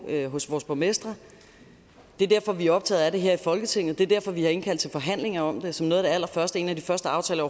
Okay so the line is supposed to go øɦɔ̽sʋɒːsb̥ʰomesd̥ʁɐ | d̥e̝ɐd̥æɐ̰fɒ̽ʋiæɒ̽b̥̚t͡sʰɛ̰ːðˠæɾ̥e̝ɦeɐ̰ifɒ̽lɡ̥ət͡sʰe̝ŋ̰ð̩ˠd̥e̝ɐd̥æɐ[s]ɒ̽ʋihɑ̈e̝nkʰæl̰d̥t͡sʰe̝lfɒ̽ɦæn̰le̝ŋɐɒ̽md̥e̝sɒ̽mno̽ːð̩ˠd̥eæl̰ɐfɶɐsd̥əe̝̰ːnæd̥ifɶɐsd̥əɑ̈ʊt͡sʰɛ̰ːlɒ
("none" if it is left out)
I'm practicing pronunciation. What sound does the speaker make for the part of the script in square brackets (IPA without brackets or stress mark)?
f